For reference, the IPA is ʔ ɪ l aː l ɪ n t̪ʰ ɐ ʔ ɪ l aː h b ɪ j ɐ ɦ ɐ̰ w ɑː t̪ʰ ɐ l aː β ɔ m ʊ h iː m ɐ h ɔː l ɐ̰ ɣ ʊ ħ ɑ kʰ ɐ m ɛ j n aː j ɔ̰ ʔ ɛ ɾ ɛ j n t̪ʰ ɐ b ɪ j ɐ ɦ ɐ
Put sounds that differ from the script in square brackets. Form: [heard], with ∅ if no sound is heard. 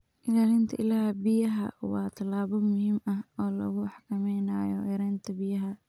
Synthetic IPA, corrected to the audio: ʔ ɪ l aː l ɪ n t̪ʰ ɐ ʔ ɪ l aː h b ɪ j ɐ ɦ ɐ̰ w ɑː t̪ʰ ɐ l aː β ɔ m ʊ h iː m ɐ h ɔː l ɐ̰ ɣ ʊ ħ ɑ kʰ ɐ m ɛ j n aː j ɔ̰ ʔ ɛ ɾ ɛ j n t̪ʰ ɐ b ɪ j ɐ ɦ ɐ